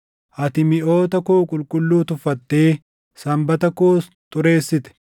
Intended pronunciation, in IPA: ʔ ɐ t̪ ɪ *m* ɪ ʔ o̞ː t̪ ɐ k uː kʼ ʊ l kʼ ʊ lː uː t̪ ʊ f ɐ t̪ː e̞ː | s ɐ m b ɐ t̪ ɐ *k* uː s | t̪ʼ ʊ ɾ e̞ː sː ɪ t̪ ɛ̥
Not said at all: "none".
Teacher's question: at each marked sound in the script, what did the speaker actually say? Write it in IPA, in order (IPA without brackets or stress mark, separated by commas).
m, k